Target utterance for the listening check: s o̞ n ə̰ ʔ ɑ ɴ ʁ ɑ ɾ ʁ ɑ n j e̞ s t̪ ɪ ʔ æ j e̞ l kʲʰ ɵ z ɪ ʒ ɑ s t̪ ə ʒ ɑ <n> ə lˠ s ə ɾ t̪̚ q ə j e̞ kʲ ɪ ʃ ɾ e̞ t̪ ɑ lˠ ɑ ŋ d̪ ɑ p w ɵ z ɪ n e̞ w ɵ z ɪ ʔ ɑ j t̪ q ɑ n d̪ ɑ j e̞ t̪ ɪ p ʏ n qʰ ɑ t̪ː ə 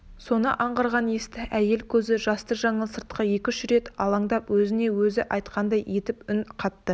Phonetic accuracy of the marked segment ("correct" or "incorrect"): incorrect